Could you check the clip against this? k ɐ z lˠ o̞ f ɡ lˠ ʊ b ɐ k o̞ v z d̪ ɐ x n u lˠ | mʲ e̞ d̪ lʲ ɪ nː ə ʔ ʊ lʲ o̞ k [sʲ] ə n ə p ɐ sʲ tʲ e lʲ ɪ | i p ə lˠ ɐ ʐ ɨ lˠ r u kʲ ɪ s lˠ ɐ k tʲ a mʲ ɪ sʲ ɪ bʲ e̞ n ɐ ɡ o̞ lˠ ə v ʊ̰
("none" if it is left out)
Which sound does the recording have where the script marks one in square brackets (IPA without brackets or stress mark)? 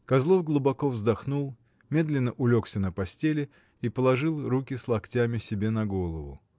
sʲ